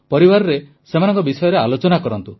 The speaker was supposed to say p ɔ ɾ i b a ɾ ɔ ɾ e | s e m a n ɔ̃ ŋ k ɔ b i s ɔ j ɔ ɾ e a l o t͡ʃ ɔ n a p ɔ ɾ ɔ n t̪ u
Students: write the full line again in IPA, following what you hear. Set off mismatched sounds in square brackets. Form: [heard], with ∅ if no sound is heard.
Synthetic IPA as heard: p ɔ ɾ i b a ɾ ɔ ɾ e | s e m a n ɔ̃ ŋ k ɔ b i s ɔ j ɔ ɾ e a l o t͡ʃ ɔ n a [k] ɔ ɾ ɔ n t̪ u